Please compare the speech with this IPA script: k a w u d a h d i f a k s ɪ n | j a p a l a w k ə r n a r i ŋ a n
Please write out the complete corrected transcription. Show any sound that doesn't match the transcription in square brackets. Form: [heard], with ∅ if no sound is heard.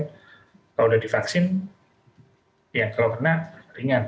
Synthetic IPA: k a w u d a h d i f a k s ɪ n | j a [k] a l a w k ə r n a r i ŋ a n